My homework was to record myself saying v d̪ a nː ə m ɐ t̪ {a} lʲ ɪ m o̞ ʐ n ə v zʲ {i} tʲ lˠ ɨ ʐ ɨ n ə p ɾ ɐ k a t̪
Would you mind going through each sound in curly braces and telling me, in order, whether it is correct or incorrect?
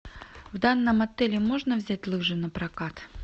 incorrect: ɛ, incorrect: æ

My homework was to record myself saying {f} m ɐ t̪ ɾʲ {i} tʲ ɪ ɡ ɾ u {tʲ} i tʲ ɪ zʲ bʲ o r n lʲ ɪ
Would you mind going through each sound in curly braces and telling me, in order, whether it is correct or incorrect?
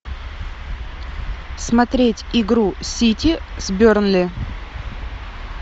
incorrect: s, incorrect: e, incorrect: sʲ

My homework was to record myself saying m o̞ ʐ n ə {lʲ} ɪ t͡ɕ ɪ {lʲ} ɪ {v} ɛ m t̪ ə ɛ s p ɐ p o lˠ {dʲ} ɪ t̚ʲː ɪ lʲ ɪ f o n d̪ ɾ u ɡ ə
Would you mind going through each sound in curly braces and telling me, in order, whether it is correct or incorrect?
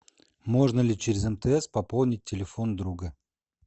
correct, incorrect: ɾʲ, incorrect: z, incorrect: nʲ

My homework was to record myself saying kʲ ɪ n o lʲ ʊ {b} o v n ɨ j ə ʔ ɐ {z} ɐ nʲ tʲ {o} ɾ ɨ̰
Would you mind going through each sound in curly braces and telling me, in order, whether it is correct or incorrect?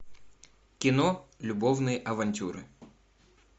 correct, incorrect: v, incorrect: u

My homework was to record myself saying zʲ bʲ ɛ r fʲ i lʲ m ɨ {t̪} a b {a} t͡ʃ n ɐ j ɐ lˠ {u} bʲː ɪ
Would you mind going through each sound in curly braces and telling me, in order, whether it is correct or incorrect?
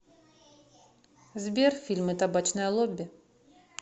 correct, correct, incorrect: ɔ

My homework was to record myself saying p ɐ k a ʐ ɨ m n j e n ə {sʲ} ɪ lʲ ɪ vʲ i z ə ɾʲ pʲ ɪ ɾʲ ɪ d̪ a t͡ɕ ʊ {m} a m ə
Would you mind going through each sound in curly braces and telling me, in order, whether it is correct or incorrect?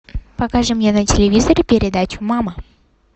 incorrect: tʲ, correct

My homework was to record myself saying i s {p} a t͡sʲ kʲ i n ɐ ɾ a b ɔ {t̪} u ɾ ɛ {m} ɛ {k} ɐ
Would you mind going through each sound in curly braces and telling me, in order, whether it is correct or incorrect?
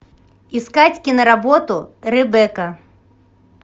incorrect: k, correct, incorrect: b, correct

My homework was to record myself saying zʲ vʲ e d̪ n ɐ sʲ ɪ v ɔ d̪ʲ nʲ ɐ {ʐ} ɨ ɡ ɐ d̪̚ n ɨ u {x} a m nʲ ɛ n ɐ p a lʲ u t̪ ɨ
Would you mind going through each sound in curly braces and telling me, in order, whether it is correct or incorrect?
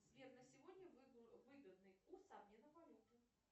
incorrect: v, incorrect: s

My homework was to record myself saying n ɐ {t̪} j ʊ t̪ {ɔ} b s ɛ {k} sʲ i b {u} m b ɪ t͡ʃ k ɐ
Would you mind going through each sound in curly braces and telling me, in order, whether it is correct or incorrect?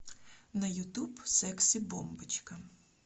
incorrect: none, incorrect: u, correct, incorrect: ɔ

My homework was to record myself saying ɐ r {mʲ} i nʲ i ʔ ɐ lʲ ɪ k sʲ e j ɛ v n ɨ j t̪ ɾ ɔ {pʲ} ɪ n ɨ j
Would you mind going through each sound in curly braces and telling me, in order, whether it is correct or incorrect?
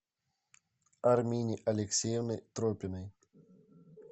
correct, correct

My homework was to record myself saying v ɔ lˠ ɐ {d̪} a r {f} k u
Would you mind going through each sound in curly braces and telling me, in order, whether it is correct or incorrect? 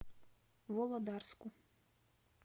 correct, incorrect: s

